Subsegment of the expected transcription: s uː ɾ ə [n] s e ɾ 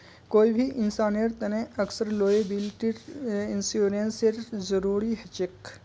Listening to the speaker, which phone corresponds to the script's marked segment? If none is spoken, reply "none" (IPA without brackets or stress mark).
n